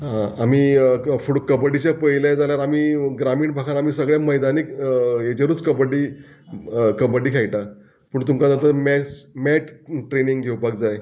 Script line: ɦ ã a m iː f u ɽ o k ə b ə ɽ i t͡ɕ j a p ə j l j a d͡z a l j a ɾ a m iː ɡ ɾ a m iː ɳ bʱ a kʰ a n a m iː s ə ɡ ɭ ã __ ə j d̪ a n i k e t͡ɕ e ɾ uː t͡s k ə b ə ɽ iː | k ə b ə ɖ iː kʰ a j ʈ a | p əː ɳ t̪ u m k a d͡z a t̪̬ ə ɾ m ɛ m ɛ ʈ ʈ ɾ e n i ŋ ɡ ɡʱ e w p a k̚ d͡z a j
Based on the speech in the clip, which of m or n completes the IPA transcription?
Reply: m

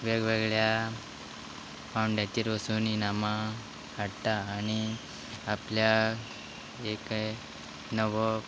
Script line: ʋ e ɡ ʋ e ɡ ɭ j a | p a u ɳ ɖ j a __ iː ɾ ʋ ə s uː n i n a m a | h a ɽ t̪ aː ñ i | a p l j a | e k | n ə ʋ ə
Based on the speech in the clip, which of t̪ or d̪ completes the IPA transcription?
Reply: t̪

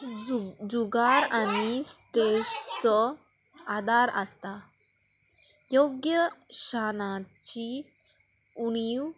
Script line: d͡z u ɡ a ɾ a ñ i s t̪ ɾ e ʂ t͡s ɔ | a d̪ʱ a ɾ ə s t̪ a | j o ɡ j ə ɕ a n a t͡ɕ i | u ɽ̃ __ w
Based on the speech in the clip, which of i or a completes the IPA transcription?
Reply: i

